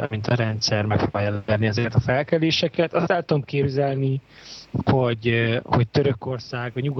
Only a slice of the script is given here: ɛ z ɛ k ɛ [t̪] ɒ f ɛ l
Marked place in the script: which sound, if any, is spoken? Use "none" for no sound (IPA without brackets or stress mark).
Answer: t̪